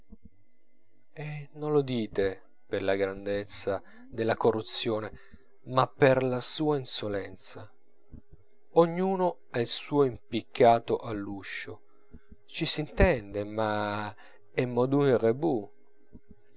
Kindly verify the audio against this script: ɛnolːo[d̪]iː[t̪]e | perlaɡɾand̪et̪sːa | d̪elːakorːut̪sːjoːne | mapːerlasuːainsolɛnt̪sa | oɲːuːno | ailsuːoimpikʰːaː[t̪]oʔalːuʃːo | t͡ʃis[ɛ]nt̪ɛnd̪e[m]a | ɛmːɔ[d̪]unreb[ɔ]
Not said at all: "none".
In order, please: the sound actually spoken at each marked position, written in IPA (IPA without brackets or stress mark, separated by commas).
d̪, t̪, t̪, i, m, d̪, u